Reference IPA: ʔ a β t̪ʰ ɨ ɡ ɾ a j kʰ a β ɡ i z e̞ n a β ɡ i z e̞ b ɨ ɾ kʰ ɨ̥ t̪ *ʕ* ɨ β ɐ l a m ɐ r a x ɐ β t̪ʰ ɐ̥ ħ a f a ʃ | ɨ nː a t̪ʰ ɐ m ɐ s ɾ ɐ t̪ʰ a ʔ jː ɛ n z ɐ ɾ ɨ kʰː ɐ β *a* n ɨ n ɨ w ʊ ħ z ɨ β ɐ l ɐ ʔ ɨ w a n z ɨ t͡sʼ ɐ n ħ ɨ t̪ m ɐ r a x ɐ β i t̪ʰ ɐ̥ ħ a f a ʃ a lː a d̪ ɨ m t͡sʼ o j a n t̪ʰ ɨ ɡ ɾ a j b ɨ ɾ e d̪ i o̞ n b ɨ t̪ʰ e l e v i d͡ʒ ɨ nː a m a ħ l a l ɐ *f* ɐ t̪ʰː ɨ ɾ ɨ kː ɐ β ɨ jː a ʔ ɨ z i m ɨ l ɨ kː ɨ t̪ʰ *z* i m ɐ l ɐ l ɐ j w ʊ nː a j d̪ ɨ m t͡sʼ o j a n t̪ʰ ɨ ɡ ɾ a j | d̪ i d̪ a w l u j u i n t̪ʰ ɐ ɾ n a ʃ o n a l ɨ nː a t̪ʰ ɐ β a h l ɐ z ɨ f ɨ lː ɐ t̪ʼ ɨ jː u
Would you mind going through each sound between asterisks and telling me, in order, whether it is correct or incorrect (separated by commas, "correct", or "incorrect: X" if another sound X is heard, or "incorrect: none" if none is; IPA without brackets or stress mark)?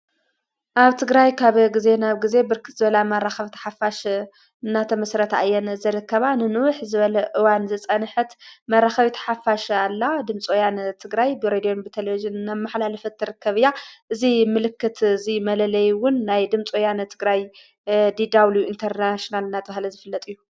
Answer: incorrect: z, correct, correct, correct